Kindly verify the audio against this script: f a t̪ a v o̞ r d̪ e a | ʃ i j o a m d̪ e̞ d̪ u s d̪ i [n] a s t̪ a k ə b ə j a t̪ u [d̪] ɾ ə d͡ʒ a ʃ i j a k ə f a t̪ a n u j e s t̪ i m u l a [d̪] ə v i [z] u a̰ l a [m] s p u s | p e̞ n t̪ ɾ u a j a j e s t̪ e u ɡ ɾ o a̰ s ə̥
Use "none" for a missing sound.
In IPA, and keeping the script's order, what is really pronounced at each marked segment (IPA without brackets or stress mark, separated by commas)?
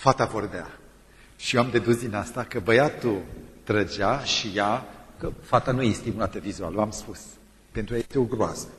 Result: n, t̪, t̪, z, m